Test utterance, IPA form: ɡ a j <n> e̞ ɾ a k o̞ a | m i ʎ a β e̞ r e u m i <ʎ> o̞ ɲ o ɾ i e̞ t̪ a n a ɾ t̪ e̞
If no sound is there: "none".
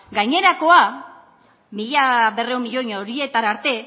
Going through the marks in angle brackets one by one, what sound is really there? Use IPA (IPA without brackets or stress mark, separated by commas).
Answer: ɲ, ʎ